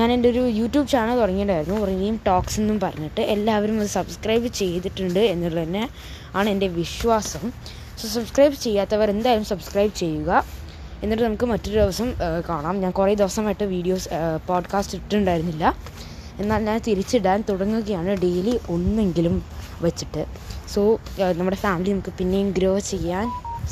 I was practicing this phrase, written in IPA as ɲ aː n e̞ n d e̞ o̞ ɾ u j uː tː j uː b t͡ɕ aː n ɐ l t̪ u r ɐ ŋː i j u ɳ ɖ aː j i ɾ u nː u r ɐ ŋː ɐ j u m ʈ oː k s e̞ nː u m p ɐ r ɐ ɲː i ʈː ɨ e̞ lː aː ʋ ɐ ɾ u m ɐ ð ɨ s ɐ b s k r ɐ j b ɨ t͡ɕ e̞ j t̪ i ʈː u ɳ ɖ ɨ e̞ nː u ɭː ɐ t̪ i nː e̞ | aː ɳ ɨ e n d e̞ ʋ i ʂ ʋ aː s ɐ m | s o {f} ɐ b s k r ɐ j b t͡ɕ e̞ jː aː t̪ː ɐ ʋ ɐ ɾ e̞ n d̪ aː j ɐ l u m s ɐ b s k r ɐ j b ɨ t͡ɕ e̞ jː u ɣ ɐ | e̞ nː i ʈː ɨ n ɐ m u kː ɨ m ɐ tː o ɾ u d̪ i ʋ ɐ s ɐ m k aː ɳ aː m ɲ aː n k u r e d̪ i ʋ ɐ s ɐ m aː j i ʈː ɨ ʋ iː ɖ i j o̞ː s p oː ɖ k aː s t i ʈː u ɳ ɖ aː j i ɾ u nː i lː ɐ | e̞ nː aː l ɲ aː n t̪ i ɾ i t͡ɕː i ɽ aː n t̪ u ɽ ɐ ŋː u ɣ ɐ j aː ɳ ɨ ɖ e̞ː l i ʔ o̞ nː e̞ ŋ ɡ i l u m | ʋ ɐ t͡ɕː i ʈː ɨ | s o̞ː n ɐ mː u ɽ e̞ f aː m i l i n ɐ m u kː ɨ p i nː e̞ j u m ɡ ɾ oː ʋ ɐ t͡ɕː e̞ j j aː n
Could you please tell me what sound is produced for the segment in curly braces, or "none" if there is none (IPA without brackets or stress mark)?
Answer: s